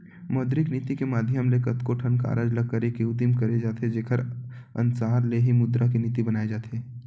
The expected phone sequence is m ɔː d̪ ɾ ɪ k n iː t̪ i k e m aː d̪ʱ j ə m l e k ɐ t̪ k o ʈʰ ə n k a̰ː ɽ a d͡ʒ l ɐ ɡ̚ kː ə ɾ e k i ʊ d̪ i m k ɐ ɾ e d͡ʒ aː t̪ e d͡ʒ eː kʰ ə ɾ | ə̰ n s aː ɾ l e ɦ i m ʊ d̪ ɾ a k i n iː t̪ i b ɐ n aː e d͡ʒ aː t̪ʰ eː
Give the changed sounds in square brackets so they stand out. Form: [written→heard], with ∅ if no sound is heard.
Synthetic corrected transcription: m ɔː d̪ ɾ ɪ k n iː t̪ i k e m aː d̪ʱ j ə m l e k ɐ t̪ k o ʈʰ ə n k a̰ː [ɽ→ɾ] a d͡ʒ l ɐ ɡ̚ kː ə ɾ e k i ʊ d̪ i m k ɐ ɾ e d͡ʒ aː t̪ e d͡ʒ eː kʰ ə ɾ | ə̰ n s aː ɾ l e ɦ i m ʊ d̪ ɾ a k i n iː t̪ i b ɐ n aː e d͡ʒ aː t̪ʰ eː